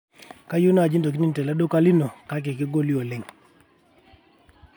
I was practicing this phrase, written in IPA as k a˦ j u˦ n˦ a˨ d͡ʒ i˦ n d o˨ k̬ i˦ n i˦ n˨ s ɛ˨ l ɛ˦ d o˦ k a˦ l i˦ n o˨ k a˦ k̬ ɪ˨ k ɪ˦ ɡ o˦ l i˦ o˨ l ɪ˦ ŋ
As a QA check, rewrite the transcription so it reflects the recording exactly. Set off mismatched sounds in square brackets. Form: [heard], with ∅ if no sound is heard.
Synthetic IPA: k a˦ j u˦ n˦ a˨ d͡ʒ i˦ n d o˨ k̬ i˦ n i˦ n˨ [t] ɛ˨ l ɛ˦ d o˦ k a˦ l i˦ n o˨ k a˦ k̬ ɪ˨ k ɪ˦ ɡ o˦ l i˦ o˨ l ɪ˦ ŋ